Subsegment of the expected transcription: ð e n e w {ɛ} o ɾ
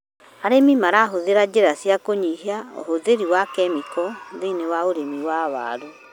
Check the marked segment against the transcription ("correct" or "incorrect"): incorrect